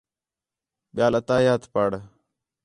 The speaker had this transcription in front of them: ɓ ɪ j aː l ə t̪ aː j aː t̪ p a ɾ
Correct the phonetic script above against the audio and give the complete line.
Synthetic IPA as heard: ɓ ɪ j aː l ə t̪ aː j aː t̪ p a ɽ